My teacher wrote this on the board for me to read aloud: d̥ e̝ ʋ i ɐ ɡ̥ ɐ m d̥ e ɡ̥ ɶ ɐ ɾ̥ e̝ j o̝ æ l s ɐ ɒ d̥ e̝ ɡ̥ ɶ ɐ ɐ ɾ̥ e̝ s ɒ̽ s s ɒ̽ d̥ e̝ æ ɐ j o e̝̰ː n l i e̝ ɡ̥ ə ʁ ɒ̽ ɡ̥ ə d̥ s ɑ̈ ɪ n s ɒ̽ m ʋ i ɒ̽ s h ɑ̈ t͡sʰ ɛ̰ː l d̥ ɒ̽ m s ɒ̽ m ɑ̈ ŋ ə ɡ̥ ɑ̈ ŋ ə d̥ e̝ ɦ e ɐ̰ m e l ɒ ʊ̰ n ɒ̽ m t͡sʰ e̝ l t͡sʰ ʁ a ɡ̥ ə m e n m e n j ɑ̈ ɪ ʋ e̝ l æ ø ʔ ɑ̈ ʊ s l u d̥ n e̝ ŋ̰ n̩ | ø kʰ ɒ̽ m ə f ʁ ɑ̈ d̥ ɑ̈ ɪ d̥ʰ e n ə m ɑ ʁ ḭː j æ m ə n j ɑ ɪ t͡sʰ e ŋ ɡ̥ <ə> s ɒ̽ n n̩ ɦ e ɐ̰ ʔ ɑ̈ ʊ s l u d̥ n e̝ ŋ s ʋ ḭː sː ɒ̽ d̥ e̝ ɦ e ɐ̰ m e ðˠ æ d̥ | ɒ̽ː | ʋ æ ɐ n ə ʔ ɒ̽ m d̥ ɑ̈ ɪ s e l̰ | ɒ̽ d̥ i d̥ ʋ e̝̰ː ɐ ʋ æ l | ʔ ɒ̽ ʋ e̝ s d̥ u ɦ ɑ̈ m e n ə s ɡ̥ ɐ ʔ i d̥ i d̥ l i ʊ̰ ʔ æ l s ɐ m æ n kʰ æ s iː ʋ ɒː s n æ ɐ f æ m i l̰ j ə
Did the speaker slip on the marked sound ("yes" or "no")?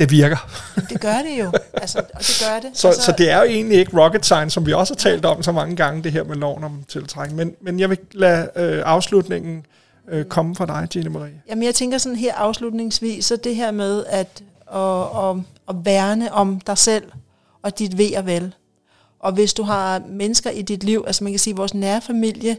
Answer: yes